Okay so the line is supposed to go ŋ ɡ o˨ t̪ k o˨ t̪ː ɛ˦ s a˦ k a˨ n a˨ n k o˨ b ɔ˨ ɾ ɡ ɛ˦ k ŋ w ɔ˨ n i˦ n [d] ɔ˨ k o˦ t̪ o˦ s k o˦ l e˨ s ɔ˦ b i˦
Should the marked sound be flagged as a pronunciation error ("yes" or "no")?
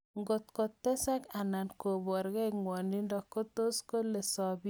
no